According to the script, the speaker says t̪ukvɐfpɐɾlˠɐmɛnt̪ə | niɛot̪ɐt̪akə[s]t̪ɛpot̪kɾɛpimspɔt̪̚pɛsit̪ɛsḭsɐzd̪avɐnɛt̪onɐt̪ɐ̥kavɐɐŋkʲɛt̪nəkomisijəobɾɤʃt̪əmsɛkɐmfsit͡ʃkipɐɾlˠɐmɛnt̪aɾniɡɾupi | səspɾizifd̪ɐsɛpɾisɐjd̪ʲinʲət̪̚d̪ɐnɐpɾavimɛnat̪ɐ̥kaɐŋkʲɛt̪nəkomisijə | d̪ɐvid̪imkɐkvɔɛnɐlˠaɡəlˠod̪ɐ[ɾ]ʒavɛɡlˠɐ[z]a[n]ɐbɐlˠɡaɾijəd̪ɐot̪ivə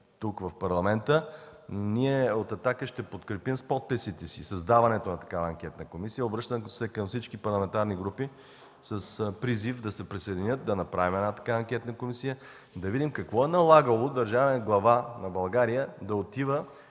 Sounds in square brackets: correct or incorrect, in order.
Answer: incorrect, correct, incorrect, correct

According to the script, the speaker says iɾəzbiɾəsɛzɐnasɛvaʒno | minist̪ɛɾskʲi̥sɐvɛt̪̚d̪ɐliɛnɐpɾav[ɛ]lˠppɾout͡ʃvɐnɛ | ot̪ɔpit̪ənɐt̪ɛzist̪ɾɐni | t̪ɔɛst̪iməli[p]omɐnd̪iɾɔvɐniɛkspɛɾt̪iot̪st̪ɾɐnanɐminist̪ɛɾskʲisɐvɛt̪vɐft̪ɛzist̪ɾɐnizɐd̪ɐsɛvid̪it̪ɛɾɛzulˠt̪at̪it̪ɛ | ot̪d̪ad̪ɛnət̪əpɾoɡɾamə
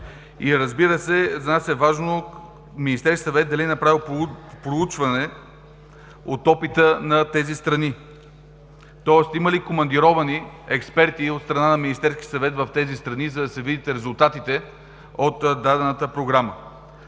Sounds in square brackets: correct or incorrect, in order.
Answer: incorrect, incorrect

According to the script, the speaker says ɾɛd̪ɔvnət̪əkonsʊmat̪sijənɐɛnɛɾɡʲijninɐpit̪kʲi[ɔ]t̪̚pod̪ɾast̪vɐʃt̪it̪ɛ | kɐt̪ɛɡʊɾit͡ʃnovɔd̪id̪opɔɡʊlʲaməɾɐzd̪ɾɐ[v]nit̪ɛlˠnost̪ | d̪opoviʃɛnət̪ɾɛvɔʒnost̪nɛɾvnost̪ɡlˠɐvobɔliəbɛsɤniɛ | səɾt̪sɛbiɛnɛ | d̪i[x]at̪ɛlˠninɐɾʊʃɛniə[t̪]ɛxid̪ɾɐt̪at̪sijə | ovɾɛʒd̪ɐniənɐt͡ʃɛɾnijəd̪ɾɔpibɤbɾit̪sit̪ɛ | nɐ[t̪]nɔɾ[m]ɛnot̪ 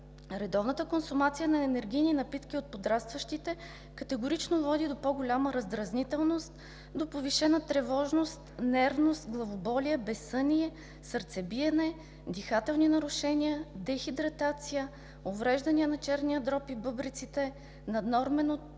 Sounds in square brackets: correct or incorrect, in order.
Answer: incorrect, incorrect, correct, incorrect, incorrect, correct

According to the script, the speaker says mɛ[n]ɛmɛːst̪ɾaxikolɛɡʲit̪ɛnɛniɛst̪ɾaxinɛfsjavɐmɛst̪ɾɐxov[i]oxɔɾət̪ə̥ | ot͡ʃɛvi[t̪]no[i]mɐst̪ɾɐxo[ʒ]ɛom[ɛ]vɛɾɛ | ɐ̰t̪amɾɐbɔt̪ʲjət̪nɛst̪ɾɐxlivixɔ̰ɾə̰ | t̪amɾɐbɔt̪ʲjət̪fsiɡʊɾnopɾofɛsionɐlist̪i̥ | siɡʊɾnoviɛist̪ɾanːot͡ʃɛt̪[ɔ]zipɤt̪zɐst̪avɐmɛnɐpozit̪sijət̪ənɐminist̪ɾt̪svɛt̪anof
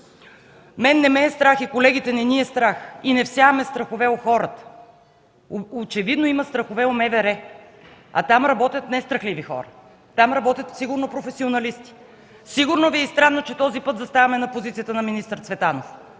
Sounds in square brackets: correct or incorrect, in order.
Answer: incorrect, incorrect, incorrect, correct, incorrect, correct, correct

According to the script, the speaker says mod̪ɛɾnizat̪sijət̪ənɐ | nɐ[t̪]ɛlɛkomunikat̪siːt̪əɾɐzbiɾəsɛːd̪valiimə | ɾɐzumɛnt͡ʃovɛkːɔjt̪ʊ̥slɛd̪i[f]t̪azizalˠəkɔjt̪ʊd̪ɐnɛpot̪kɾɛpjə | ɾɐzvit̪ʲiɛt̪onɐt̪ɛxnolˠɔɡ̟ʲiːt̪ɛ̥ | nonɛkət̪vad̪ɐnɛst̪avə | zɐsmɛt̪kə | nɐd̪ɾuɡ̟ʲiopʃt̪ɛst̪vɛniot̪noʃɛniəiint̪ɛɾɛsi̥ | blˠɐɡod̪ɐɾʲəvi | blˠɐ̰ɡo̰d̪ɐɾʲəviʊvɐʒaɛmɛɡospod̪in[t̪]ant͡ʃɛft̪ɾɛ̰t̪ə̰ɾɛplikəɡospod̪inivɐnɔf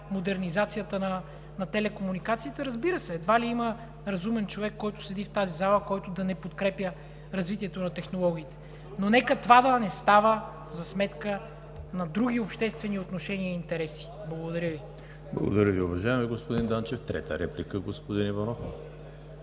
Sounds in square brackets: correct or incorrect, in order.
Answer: correct, correct, incorrect

